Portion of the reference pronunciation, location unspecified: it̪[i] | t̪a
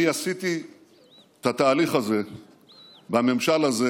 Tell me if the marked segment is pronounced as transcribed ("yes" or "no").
yes